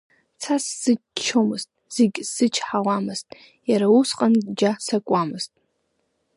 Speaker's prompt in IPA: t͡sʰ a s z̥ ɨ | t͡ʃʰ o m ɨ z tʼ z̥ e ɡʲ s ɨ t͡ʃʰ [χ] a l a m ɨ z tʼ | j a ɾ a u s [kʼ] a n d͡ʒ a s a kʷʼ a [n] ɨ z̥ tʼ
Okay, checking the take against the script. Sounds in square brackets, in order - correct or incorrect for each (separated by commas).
incorrect, incorrect, incorrect